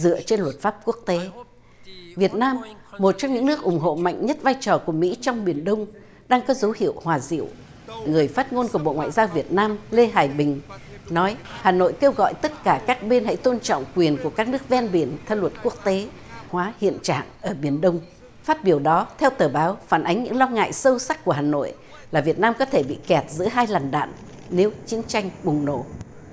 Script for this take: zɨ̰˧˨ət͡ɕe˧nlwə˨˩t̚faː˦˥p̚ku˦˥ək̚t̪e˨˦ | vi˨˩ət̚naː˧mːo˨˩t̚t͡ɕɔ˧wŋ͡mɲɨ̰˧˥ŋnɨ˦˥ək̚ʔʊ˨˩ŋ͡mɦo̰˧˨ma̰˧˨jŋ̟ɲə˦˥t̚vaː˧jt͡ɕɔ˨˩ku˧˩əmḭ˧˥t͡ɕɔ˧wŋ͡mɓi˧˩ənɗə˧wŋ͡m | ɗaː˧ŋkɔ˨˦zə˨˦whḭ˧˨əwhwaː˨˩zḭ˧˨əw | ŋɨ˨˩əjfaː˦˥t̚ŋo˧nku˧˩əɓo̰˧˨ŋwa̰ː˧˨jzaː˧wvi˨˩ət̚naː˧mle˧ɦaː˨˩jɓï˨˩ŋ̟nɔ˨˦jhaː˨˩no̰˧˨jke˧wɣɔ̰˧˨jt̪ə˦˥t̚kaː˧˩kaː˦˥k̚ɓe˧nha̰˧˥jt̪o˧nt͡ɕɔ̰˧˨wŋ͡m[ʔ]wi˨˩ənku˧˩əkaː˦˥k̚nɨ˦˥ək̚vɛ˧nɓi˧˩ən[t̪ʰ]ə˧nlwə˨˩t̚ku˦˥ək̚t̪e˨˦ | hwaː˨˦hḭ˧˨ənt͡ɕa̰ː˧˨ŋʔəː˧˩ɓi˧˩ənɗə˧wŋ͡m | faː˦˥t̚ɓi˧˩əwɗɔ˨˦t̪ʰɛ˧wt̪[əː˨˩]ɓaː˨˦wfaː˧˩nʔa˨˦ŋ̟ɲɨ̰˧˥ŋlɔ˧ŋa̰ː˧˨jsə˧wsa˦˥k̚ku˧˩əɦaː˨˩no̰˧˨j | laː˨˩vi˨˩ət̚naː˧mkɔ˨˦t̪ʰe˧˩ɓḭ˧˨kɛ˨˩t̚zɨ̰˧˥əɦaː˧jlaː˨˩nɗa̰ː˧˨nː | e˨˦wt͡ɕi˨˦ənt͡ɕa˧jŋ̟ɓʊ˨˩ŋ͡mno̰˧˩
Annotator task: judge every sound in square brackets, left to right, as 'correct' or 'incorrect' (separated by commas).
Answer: incorrect, correct, correct